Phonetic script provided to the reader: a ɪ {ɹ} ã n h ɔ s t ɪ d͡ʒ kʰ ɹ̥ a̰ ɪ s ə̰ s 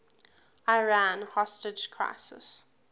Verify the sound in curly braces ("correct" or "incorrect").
correct